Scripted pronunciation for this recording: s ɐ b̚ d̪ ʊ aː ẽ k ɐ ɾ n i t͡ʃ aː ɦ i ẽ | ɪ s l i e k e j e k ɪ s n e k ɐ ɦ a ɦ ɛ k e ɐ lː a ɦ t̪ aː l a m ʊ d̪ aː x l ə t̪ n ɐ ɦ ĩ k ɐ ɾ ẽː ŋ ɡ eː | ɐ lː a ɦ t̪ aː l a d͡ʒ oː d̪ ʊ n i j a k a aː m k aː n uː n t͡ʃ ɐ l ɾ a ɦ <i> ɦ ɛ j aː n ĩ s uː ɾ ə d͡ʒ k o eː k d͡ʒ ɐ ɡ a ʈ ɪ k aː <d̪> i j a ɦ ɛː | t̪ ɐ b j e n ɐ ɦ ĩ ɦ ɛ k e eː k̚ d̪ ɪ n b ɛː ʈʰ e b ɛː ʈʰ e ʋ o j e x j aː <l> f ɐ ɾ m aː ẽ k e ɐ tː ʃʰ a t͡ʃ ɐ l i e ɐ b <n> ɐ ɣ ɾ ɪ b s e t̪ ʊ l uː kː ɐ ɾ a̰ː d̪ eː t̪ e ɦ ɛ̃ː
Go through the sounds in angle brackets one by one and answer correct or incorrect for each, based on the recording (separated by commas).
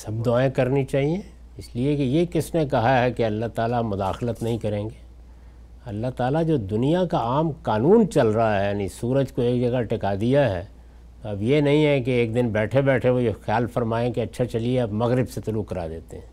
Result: incorrect, correct, correct, incorrect